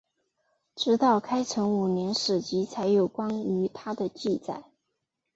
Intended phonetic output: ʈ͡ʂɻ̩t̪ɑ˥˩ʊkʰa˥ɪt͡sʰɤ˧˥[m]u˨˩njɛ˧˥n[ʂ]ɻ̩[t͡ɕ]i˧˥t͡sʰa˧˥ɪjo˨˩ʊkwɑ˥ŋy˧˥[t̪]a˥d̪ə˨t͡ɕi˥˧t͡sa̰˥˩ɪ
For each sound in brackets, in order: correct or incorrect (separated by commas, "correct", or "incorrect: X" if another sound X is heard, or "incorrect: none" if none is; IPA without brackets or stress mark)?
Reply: incorrect: ŋ, correct, correct, incorrect: t̪ʰ